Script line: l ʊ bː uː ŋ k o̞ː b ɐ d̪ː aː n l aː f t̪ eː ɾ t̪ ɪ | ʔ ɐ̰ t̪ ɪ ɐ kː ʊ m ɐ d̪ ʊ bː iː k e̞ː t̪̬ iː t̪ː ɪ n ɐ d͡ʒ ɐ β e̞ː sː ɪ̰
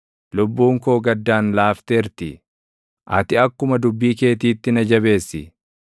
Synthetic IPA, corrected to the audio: l ʊ bː uː ŋ k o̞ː ɡ ɐ d̪ː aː n l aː f t̪ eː ɾ t̪ ɪ | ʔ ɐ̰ t̪ ɪ ɐ kː ʊ m ɐ d̪ ʊ bː iː k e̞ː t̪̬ iː t̪ː ɪ n ɐ d͡ʒ ɐ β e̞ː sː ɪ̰

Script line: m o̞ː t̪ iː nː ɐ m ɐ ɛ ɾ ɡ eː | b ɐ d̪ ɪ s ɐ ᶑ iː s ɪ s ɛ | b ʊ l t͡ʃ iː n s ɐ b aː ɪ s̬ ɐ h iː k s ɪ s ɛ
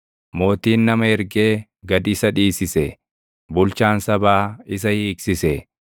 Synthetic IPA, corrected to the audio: m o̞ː t̪ iː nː ɐ m ɐ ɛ ɾ ɡ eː | ɡ ɐ d̪ ɪ s ɐ ᶑ iː s ɪ s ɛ | b ʊ l t͡ʃ aː n s ɐ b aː ɪ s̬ ɐ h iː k s ɪ s ɛ

